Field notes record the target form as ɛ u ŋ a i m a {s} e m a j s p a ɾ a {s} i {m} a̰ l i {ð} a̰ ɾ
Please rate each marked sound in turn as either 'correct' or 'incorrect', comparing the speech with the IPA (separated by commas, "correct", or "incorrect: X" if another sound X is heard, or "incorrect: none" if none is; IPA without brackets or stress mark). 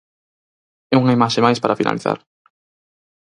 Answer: incorrect: ʃ, incorrect: f, incorrect: n, incorrect: θ